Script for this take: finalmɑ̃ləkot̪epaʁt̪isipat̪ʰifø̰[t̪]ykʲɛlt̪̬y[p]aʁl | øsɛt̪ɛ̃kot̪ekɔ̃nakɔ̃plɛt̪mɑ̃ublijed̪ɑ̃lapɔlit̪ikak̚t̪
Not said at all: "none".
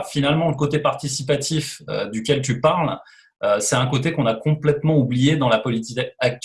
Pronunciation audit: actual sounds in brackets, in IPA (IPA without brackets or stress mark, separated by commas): d̪, p